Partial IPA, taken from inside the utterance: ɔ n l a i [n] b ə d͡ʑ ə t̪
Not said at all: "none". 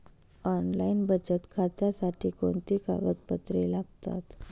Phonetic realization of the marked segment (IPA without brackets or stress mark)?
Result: n